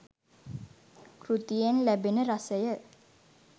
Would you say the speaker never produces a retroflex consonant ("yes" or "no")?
yes